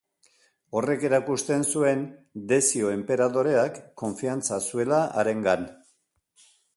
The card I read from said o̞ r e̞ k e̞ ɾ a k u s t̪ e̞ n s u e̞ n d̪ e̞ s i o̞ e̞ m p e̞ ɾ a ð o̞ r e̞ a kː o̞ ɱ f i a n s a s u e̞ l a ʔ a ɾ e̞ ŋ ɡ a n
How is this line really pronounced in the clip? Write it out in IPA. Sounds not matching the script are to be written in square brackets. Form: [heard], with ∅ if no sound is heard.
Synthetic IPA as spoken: o̞ r e̞ k e̞ ɾ a k u s t̪ e̞ n s u e̞ n d̪ e̞ s i o̞ e̞ m p e̞ ɾ a ð o̞ [ɾ] e̞ a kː o̞ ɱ f i a n [t͡s] a s u e̞ l a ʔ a ɾ e̞ ŋ ɡ a n

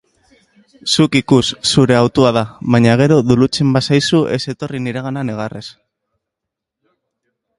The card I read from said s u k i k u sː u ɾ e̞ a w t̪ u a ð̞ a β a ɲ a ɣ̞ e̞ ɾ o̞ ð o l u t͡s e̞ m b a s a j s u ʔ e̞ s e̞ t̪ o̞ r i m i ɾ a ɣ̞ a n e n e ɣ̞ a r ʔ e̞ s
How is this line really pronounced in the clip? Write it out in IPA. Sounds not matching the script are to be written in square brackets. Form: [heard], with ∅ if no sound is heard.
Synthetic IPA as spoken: s u k i k u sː u ɾ e̞ a w t̪ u a ð̞ a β a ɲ a ɣ̞ e̞ ɾ o̞ ð [u] l u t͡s e̞ m b a s a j s u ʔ e̞ s e̞ t̪ o̞ r i [n] i ɾ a ɣ̞ a n [a] n e ɣ̞ a r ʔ e̞ s

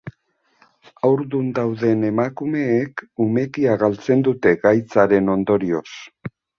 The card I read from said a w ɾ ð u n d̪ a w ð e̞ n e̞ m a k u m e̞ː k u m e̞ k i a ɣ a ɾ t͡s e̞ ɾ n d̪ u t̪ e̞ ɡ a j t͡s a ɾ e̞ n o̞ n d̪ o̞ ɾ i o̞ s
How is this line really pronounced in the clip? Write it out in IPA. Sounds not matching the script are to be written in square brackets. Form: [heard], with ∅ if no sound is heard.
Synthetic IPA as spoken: a w ɾ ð u n d̪ a w ð e̞ n e̞ m a k u m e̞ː k u m e̞ k i a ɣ a [l] t͡s e̞ [∅] n d̪ u t̪ e̞ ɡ a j t͡s a ɾ e̞ n o̞ n d̪ o̞ ɾ i o̞ s

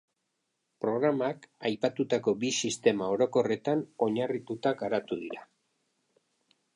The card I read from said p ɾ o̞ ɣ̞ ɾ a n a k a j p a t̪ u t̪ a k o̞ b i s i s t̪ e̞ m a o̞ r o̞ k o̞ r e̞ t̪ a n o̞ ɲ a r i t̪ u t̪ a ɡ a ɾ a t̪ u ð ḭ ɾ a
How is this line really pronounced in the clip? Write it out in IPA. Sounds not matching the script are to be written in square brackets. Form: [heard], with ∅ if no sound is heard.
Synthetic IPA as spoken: p ɾ o̞ ɣ̞ ɾ a [m] a k a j p a t̪ u t̪ a k o̞ b i s i s t̪ e̞ m a o̞ [ɾ] o̞ k o̞ r e̞ t̪ a n o̞ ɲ a r i t̪ u t̪ a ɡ a ɾ a t̪ u ð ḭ ɾ a

